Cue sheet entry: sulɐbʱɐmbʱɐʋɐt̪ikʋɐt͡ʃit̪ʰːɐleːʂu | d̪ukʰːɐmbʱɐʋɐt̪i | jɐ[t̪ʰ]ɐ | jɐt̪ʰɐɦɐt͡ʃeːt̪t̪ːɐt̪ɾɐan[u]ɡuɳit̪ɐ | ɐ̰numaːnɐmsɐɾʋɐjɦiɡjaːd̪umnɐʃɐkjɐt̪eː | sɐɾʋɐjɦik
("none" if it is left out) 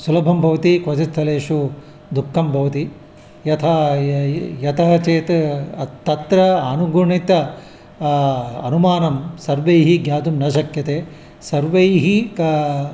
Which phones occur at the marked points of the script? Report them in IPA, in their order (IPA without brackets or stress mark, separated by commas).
t̪ʰ, u